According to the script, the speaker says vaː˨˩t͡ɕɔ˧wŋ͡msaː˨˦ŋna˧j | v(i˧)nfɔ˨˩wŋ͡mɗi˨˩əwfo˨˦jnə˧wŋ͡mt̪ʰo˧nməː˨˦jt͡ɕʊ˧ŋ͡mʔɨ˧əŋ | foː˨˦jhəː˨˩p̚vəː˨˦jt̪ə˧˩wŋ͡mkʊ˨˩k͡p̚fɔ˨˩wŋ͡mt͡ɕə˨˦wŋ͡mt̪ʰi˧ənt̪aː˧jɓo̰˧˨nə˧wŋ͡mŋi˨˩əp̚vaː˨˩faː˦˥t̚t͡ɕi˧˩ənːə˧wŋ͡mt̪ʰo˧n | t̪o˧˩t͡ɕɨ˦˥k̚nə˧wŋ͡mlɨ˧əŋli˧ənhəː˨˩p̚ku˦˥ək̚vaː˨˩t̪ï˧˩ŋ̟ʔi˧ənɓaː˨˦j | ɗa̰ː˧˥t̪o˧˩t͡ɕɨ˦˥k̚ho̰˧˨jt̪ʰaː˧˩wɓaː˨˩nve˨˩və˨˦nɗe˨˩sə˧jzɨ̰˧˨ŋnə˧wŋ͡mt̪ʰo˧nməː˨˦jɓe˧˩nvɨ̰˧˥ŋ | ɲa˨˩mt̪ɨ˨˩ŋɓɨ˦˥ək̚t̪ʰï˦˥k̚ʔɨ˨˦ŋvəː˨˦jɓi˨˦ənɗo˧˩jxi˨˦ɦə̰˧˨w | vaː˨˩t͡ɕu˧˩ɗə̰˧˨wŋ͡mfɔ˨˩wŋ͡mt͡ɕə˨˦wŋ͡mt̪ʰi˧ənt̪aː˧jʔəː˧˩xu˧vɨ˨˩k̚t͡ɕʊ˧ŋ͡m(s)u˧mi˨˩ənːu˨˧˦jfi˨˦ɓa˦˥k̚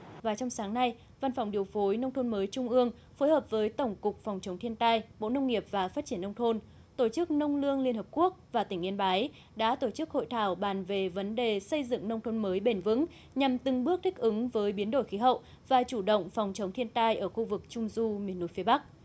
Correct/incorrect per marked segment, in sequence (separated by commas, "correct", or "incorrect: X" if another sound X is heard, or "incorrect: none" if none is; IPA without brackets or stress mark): incorrect: a˧, incorrect: z